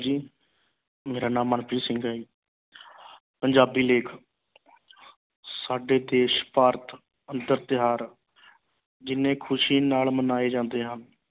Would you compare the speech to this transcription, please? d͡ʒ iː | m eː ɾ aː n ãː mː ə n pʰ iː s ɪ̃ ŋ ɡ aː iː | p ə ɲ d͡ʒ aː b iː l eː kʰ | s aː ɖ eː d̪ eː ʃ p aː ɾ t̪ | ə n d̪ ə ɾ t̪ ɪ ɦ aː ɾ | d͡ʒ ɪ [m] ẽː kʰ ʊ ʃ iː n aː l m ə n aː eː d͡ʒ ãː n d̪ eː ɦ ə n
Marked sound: incorrect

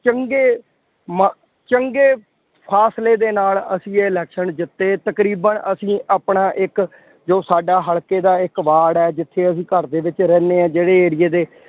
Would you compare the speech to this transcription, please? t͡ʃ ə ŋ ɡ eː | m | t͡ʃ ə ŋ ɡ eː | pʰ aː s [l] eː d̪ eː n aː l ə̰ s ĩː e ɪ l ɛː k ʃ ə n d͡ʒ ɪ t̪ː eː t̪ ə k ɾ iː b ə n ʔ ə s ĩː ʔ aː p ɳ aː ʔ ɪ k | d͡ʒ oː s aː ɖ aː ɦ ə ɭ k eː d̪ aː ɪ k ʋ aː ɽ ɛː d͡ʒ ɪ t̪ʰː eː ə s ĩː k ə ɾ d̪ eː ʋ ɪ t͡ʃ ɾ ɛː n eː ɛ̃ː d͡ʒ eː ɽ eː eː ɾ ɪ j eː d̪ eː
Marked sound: correct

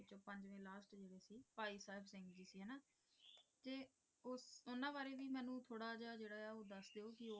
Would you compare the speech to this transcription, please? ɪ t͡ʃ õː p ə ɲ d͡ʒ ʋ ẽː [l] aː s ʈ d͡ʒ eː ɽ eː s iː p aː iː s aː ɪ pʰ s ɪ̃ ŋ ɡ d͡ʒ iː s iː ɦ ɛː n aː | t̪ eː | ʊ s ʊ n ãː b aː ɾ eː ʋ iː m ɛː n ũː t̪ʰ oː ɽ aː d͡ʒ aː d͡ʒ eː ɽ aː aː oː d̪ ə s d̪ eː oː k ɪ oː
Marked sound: correct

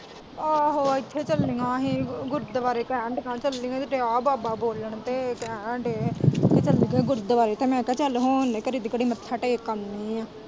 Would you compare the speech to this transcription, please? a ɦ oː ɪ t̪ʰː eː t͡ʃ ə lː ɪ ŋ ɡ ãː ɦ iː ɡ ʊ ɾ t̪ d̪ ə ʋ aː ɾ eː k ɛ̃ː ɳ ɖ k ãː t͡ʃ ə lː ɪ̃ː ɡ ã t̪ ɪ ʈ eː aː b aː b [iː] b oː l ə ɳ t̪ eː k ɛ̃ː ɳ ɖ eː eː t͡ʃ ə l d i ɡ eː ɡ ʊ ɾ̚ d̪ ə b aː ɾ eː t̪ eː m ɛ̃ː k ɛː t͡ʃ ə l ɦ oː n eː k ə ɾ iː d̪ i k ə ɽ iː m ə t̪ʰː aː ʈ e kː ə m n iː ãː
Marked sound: incorrect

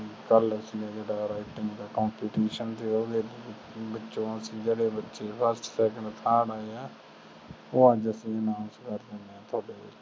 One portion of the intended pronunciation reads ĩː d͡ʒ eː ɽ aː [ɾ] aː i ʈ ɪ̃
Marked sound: correct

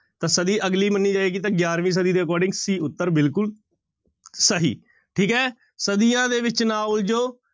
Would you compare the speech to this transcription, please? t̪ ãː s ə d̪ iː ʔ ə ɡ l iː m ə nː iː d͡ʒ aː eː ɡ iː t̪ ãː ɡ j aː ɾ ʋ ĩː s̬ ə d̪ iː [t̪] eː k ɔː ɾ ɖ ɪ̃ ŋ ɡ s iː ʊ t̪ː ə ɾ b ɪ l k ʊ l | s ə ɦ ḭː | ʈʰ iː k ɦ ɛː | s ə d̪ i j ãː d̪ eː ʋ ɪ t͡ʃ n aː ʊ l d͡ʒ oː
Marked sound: incorrect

